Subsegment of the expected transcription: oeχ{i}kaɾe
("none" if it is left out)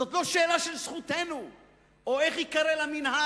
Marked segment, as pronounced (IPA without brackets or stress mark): i